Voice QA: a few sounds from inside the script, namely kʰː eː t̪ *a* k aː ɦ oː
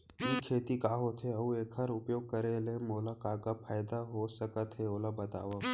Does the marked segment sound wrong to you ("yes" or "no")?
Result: yes